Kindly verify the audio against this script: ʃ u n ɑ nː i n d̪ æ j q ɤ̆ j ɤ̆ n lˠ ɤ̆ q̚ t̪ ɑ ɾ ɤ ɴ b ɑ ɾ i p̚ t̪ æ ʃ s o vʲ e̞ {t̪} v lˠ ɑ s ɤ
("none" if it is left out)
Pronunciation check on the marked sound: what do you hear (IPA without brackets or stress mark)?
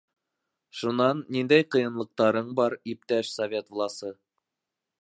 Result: t̪